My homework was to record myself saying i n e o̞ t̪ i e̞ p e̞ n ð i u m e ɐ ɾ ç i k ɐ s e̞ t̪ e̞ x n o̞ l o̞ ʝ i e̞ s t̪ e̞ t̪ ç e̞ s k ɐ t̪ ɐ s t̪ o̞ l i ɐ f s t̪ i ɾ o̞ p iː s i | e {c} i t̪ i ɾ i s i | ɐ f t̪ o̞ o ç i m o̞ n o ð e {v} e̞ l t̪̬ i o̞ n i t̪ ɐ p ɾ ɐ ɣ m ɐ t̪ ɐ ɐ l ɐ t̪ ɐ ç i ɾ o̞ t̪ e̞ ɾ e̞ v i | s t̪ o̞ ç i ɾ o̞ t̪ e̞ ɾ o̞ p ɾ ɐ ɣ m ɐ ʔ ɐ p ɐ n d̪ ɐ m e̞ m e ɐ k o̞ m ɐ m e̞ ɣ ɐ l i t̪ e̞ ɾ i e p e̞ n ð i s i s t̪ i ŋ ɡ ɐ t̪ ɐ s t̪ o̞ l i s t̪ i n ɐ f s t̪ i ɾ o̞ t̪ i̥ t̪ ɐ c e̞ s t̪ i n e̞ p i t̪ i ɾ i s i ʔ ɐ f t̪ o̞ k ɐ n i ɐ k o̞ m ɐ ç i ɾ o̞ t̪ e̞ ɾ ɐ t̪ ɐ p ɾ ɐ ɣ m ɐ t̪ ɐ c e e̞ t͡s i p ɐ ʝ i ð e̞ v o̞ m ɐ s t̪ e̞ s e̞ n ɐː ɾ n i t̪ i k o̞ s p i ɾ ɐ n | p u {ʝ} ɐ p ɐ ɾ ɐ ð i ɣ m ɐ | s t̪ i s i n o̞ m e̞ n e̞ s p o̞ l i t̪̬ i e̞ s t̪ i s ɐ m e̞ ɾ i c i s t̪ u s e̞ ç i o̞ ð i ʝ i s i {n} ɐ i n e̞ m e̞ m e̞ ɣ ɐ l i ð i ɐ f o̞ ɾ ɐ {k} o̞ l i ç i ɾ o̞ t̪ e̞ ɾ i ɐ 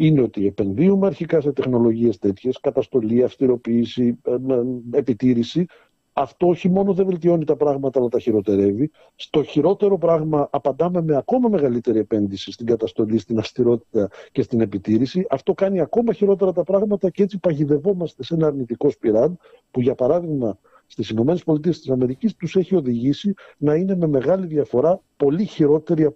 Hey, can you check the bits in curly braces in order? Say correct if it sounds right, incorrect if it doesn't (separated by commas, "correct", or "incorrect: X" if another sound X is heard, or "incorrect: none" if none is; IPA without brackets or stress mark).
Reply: incorrect: p, correct, correct, correct, incorrect: p